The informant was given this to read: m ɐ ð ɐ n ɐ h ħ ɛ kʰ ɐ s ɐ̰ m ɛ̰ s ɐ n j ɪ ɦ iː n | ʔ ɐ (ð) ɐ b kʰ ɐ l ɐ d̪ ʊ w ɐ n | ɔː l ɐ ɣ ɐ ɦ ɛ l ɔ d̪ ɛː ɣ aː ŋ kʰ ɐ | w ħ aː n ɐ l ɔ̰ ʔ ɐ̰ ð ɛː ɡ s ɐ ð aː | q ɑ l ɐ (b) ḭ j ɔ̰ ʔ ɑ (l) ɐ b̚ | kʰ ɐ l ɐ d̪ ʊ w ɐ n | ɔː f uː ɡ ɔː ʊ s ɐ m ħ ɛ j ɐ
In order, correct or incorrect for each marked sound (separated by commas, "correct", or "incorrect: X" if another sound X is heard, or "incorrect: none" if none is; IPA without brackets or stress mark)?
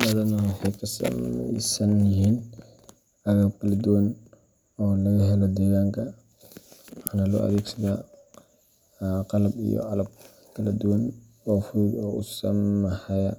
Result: incorrect: ɣ, correct, correct